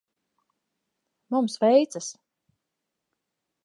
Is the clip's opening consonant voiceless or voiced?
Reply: voiced